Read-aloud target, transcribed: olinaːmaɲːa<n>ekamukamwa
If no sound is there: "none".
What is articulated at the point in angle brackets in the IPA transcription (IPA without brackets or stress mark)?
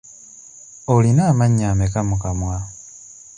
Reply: m